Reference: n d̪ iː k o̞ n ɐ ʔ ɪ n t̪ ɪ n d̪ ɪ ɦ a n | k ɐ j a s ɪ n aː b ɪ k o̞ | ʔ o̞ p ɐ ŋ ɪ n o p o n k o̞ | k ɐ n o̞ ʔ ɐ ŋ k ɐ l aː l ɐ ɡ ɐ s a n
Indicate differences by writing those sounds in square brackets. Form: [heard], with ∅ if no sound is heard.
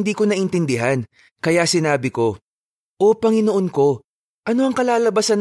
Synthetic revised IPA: n d̪ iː k o̞ n ɐ ʔ ɪ n t̪ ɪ n d̪ ɪ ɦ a n | k ɐ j a s ɪ n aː b ɪ k o̞ | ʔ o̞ p ɐ ŋ ɪ n o [ʔ] o n k o̞ | [ʔ] ɐ n o̞ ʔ ɐ ŋ k ɐ l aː l ɐ [b] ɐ s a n